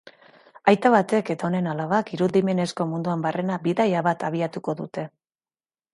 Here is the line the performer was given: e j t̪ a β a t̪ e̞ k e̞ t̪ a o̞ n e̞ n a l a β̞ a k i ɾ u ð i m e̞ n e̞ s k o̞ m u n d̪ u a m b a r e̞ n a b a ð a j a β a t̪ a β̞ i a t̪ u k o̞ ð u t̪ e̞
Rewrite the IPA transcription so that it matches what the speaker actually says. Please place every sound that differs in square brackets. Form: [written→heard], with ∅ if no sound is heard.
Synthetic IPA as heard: [e→a] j t̪ a β a t̪ e̞ k e̞ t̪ a o̞ n e̞ n a l a β̞ a k i ɾ u ð i m e̞ n e̞ s k o̞ m u n d̪ u a m b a r e̞ n a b [a→i] ð a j a β a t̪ a β̞ i a t̪ u k o̞ ð u t̪ e̞